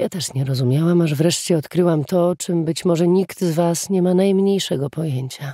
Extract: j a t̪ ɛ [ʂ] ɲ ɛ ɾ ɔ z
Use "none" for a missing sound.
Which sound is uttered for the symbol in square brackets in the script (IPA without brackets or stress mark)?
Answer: ʂ